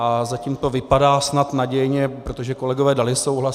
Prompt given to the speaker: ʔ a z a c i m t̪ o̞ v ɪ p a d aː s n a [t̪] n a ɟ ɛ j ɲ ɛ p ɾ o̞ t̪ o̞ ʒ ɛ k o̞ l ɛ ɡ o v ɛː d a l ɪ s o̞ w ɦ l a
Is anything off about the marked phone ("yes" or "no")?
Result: no